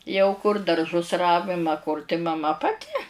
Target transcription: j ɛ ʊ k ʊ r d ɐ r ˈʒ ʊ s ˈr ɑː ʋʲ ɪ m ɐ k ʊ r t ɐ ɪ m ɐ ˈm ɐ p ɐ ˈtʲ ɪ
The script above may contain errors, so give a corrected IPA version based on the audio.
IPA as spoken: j ɛ ʊ k ʊ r d ɐ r ˈʒ ʊ s ˈr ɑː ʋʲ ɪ m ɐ k ʊ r t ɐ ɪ m ɐ ˈm ɐ p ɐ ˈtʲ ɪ

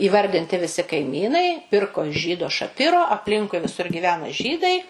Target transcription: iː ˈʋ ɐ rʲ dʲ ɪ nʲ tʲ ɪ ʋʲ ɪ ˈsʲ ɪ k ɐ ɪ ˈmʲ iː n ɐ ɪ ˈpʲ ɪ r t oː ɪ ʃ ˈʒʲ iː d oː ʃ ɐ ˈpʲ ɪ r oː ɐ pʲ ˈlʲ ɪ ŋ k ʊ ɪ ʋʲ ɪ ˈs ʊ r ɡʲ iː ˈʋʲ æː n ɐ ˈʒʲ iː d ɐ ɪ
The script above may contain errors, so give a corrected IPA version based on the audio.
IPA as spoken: iː ˈʋ ɐ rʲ dʲ ɪ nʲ tʲ ɪ ʋʲ ɪ ˈsʲ ɪ k ɐ ɪ ˈmʲ iː n ɐ ɪ ˈpʲ ɪ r k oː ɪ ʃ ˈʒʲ iː d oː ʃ ɐ ˈpʲ ɪ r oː ɐ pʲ ˈlʲ ɪ ŋ k ʊ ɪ ʋʲ ɪ ˈs ʊ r ɡʲ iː ˈʋʲ æː n ɐ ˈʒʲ iː d ɐ ɪ

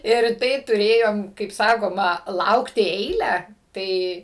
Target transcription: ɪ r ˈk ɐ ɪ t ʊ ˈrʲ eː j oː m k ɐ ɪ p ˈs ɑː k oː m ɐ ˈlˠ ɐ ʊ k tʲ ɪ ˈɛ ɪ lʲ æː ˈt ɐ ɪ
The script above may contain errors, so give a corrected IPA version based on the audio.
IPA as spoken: ɪ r ˈt ɐ ɪ t ʊ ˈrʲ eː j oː m k ɐ ɪ p ˈs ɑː k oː m ɐ ˈlˠ ɐ ʊ k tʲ ɪ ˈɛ ɪ lʲ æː ˈt ɐ ɪ

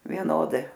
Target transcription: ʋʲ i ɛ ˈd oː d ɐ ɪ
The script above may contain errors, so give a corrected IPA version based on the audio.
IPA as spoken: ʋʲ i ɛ ˈn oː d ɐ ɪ

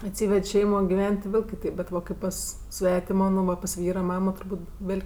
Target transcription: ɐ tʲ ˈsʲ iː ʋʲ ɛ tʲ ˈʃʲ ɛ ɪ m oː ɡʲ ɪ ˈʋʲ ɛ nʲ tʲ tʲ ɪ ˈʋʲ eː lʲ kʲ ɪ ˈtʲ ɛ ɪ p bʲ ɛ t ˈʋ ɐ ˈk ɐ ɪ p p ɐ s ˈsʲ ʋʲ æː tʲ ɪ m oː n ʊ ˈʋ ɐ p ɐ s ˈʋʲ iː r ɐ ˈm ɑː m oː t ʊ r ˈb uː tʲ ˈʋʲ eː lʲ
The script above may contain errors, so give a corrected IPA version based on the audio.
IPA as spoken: ɐ tʲ ˈsʲ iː ʋʲ ɛ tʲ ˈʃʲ ɛ ɪ m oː ɡʲ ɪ ˈʋʲ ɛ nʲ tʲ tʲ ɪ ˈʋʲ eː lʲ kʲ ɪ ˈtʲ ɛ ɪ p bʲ ɛ t ˈʋ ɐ ˈk ɐ ɪ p p ɐ s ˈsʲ ʋʲ æː tʲ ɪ m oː n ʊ ˈʋ ɐ p ɐ s ˈʋʲ iː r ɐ ˈm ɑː m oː t ʊ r ˈb uː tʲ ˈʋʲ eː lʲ

